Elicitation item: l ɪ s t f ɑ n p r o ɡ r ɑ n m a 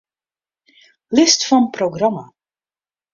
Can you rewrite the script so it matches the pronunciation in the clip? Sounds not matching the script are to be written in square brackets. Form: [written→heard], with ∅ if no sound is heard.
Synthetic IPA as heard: l ɪ s t f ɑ n p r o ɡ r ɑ [n→∅] m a